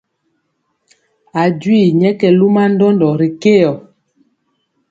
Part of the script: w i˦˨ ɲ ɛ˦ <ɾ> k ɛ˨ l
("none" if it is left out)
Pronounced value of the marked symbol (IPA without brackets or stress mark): none